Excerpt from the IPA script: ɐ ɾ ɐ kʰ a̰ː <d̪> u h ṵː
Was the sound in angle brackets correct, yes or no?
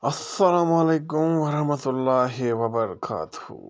no